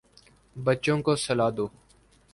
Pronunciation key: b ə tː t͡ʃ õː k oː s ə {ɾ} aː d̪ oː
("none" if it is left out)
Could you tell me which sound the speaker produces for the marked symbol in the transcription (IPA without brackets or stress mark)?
l